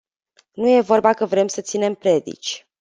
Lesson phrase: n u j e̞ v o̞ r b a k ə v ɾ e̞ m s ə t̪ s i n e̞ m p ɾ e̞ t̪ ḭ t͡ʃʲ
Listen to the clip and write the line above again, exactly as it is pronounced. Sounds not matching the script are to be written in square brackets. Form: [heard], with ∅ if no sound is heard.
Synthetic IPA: n u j e̞ v o̞ r b a k ə v ɾ e̞ m s ə t̪ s i n e̞ m p ɾ e̞ [d̪] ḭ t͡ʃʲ